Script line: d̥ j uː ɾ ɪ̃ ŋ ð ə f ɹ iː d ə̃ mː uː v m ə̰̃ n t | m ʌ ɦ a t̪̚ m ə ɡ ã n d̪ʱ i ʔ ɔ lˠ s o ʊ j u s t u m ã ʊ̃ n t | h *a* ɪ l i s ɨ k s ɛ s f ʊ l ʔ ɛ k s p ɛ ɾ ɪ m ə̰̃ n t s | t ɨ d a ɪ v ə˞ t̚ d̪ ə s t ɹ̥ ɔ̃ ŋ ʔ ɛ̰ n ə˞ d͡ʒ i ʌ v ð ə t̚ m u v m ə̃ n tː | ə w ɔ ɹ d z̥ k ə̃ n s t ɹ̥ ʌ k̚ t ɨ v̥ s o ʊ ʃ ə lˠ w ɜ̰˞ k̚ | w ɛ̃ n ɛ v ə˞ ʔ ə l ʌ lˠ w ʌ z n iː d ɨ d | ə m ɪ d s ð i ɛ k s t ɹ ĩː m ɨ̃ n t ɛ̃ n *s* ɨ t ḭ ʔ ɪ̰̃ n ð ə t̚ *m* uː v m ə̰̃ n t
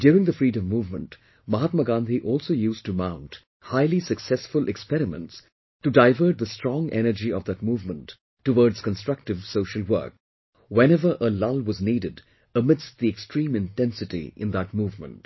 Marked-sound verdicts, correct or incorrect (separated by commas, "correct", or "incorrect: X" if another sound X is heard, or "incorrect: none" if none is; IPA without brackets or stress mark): correct, correct, correct